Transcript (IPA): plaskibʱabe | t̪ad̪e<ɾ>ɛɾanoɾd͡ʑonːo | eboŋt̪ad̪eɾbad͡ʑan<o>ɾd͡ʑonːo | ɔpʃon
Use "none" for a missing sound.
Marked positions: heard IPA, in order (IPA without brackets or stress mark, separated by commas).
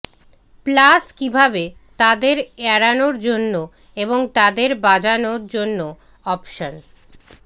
ɾ, o